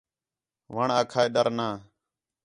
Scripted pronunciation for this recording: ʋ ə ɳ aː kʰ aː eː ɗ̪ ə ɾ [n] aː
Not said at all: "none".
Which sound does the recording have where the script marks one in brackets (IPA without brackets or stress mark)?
n